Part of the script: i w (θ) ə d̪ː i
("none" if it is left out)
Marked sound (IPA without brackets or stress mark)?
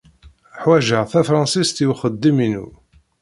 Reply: χ